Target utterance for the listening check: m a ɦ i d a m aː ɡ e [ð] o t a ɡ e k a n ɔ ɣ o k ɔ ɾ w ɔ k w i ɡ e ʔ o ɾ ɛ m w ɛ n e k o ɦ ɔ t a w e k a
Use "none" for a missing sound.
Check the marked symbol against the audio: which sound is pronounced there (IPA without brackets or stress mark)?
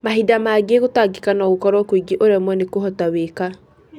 ɣ